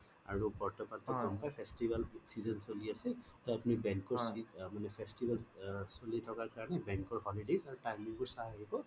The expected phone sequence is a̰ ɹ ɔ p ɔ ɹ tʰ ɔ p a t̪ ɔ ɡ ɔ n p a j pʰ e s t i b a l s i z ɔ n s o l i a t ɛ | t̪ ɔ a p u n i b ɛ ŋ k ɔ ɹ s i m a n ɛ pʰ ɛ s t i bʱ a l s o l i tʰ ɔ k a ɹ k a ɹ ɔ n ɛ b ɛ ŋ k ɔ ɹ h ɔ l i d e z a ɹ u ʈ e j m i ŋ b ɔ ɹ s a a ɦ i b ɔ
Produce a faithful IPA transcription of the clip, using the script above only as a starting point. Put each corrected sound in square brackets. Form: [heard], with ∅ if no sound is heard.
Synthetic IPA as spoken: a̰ ɹ [u] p ɔ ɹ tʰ ɔ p a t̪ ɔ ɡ ɔ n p a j pʰ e s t i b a l s i z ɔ n s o l i a [s] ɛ | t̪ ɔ a p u n i b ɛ ŋ k ɔ ɹ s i m a n ɛ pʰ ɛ s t i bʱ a l s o l i tʰ ɔ k a ɹ k a ɹ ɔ n ɛ b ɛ ŋ k ɔ ɹ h ɔ l i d e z a ɹ u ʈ [a] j m i ŋ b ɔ ɹ s a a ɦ i b ɔ